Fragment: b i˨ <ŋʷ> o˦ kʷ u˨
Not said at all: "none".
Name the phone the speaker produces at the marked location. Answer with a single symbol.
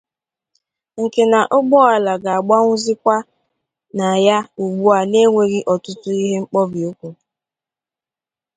none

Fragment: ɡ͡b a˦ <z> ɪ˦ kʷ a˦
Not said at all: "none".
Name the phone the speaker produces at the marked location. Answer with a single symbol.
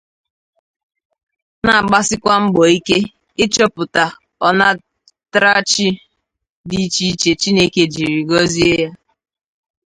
s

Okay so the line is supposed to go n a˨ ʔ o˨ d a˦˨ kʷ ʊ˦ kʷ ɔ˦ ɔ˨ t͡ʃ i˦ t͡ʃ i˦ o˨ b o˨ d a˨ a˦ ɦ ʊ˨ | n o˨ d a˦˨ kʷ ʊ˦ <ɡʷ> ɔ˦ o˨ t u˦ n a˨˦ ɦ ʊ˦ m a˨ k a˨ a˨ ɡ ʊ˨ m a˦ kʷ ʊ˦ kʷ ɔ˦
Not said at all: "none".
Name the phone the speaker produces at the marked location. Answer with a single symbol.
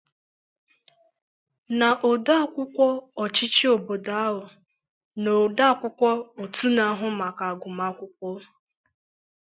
kʷ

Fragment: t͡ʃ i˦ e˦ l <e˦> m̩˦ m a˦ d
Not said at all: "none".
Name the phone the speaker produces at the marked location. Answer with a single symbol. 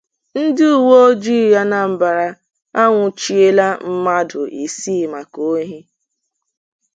a˦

